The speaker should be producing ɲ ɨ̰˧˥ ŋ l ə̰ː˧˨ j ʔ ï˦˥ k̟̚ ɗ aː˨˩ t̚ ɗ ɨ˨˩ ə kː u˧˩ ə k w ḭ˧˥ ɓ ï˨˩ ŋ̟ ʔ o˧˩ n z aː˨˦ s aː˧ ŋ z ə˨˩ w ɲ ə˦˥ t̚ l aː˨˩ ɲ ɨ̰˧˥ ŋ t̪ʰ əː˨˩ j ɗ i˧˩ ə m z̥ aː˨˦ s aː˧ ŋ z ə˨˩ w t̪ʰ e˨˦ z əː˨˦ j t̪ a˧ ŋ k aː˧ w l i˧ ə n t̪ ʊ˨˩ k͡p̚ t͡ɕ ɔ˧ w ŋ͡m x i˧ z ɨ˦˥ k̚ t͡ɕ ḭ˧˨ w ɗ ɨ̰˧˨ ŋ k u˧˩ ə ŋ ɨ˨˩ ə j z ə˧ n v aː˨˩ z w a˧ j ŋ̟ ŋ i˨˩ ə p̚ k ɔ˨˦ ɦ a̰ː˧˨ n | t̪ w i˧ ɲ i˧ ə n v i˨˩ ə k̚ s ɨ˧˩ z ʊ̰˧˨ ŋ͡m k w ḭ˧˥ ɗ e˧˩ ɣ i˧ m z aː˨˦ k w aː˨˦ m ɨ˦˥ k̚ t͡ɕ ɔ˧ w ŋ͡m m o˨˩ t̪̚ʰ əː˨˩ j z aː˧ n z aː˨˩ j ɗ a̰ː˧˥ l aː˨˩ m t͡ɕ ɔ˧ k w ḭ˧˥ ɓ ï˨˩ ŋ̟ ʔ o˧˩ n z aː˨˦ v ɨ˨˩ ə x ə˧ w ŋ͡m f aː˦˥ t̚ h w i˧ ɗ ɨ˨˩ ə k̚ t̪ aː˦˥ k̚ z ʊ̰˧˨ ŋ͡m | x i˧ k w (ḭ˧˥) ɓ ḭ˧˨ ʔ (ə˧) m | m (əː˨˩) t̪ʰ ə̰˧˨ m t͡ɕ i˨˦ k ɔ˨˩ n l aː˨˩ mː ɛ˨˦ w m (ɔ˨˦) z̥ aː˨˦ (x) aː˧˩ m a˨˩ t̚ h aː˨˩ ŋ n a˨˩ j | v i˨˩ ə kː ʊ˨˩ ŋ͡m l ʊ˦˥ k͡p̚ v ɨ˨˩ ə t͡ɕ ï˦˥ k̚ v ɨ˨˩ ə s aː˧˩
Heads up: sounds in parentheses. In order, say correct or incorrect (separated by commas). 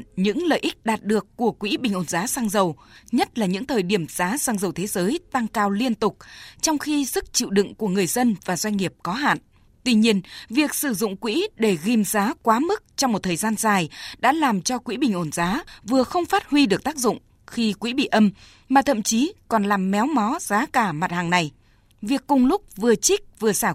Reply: correct, correct, incorrect, correct, incorrect